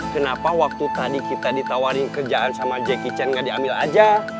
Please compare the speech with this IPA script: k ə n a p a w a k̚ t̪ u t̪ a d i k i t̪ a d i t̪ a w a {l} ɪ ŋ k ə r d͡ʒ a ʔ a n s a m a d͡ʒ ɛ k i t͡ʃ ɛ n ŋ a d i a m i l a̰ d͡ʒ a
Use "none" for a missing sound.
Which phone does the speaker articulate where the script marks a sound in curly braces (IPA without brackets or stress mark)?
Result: ɾ